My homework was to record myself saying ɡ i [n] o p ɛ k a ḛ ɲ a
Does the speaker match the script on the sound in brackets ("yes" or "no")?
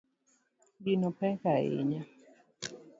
yes